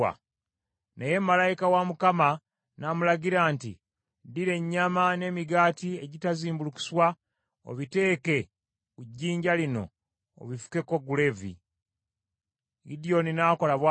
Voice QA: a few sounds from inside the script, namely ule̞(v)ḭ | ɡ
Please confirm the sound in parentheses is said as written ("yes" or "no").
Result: yes